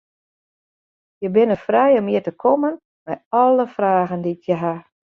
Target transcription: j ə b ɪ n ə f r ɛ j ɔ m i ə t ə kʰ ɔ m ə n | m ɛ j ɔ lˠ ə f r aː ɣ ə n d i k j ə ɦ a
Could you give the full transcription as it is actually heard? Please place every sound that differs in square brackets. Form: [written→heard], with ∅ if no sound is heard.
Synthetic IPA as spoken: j ə b ɪ n ə f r ɛ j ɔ m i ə t ə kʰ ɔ m ə n | m ɛ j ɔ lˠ ə f r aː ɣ ə n d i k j ə ɦ a